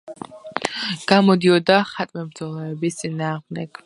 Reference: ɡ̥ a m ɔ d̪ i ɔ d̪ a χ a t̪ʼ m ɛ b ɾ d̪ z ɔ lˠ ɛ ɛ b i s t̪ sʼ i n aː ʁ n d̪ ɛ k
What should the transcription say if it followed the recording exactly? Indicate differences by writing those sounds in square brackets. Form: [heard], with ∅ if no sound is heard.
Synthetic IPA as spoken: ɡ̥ a m ɔ d̪ i ɔ d̪ a χ a t̪ʼ m ɛ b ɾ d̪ z ɔ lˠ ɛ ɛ b i s t̪ sʼ i n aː ʁ [m] d̪ ɛ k